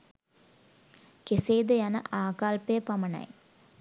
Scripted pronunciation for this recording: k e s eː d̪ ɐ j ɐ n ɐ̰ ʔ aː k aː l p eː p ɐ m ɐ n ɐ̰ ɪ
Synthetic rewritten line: k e s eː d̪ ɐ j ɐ n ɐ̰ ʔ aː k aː l p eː p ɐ m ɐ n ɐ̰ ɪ